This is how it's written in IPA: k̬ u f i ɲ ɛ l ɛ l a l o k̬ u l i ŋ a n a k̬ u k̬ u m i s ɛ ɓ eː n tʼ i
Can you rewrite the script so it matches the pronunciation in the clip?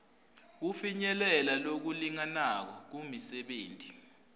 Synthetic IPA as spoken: k̬ u f i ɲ ɛ l ɛ l a l o k̬ u l i ŋ a n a k̬ ɔ k̬ u m i s ɛ ɓ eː n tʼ i

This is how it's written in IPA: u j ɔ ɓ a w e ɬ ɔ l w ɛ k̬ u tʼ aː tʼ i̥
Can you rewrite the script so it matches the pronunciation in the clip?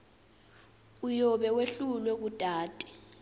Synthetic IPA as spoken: u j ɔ ɓ ɛ w e ɬ u l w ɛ k̬ u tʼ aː tʼ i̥

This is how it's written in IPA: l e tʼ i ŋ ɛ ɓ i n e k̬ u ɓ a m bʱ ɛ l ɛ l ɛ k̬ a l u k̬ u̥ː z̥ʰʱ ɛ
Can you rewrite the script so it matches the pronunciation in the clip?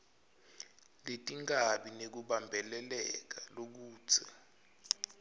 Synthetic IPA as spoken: l e tʼ i ŋ a ɓ i n e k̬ u ɓ a m bʱ ɛ l ɛ l ɛ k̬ a l o k̬ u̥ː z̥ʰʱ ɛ

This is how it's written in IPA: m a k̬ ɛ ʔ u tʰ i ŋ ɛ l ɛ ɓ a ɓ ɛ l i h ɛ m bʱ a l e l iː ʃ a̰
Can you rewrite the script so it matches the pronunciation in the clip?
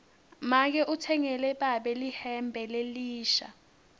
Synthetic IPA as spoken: m a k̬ ɛ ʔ u tʰ ɛ ŋ ɛ l ɛ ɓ a ɓ ɛ l i h ɛ m bʱ ɛ l e l iː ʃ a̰

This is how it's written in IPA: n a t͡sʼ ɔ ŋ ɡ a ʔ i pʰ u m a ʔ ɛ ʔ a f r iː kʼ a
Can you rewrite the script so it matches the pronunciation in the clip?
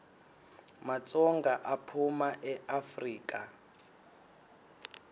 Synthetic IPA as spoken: m a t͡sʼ ɔ ŋ ɡ a ʔ a pʰ u m a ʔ ɛ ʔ a f r iː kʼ a

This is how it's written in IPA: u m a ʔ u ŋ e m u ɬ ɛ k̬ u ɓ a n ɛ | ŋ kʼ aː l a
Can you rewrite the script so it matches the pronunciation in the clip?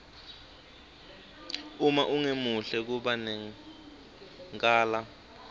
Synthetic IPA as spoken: u m a ʔ u ŋ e m u ɬ ɛ k̬ u ɓ a n ɛ | ŋ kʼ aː l a

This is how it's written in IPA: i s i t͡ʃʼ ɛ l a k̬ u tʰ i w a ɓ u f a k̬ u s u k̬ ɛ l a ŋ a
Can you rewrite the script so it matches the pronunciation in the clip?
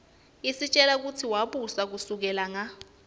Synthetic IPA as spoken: i s i t͡ʃʼ ɛ l a k̬ u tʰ i w a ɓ u s a k̬ u s u k̬ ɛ l a ŋ a

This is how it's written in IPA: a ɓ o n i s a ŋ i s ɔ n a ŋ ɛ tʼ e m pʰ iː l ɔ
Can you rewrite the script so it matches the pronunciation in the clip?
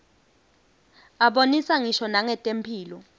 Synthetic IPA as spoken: a ɓ o n i s a ŋ i ʃ ɔ n a ŋ ɛ tʼ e m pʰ iː l ɔ

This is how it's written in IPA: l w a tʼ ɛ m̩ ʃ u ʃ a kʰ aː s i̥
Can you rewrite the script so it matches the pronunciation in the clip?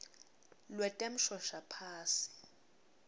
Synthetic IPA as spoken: l w ɛ tʼ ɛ m̩ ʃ ɔ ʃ a pʰ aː s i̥

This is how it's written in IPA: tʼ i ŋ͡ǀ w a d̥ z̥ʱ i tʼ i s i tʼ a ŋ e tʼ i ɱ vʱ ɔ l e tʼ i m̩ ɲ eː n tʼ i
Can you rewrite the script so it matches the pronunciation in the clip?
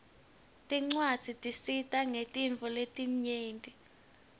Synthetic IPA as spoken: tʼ i ŋ͡ǀ w a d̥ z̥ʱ i tʼ i s i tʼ a ŋ e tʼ i ɱ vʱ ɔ l e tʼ i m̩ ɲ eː n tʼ i

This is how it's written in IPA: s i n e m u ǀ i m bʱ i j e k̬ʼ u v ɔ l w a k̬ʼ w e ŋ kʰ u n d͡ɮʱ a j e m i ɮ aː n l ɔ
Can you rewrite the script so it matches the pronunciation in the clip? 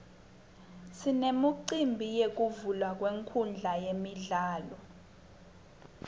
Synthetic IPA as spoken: s i n e m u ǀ i m bʱ i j e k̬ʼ u v u l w a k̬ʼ w e ŋ kʰ u n d͡ɮʱ a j e m i ɮ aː l ɔ

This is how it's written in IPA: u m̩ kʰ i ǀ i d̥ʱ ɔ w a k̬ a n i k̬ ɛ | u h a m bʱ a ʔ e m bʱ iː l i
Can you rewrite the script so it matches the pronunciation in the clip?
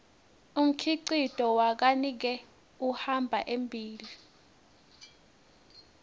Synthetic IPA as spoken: u m̩ kʰ i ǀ i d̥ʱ ɔ w a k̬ a n i k̬ ɛ | u h a m bʱ a ʔ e m bʱ iː l i

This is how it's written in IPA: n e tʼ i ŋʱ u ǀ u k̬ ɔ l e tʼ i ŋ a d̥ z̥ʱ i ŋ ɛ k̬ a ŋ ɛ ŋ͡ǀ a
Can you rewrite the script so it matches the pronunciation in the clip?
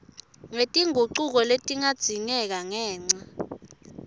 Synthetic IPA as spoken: ŋ e tʼ i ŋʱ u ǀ u k̬ ɔ l e tʼ i ŋ a d̥ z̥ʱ i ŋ ɛ k̬ a ŋ ɛː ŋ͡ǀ a

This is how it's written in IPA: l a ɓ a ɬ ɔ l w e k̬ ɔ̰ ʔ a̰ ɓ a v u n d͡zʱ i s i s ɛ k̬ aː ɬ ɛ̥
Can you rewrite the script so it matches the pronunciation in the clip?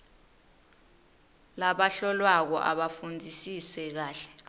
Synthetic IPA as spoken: l a ɓ a ɬ ɔ l w a k̬ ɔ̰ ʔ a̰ ɓ a f u n d͡zʱ i s i s ɛ k̬ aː ɬ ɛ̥

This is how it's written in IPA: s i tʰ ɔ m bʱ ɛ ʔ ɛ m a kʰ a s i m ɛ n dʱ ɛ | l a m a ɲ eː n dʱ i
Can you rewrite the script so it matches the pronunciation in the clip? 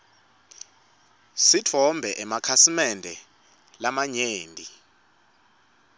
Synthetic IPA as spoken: s i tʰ ɔ m bʱ ɛ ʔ ɛ m a kʰ a s i m ɛ n dʱ ɛ | l a m a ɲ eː n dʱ i

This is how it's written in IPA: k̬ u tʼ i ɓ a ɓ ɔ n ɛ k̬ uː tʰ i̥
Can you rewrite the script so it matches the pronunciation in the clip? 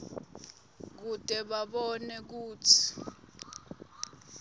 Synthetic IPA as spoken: k̬ u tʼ ɛ ɓ a ɓ ɔ n ɛ k̬ uː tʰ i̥

